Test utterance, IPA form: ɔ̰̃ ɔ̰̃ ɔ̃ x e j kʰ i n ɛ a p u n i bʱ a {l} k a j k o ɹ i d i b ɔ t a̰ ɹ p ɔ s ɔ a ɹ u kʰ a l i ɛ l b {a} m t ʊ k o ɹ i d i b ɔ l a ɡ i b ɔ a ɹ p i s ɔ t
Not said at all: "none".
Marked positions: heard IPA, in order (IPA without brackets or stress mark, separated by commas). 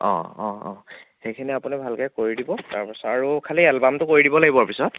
l, a